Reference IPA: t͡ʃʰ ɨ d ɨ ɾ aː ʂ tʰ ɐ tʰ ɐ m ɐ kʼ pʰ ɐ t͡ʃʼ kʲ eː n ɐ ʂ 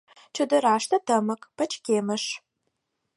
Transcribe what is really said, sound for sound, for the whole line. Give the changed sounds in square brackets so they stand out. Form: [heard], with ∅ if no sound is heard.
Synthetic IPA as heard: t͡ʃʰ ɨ d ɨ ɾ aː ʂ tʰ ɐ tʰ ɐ m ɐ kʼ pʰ ɐ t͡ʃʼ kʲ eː [m] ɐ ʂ